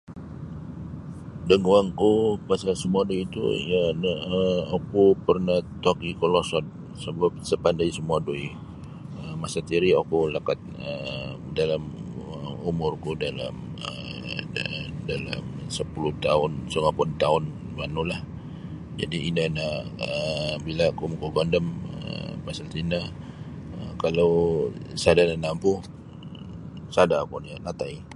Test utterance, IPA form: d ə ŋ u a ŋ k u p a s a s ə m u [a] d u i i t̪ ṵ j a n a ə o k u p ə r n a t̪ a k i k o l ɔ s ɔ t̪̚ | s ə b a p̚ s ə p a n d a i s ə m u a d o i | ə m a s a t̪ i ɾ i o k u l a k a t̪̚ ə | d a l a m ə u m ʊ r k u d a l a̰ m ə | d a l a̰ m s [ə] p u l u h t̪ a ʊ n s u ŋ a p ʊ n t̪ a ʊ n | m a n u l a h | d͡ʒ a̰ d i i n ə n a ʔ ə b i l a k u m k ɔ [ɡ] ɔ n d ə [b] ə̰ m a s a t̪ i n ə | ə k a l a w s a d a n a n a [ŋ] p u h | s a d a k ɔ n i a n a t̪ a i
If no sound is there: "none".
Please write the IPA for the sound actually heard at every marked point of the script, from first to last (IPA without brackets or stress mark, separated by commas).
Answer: a, ə, ɡ, m, m